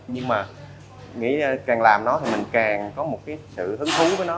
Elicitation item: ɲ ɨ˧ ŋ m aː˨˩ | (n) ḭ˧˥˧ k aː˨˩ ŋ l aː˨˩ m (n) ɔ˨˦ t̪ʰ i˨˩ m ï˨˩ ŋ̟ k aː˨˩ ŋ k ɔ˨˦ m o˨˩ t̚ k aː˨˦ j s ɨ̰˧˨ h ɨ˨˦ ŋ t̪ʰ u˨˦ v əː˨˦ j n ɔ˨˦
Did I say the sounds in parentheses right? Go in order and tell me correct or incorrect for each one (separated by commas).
incorrect, correct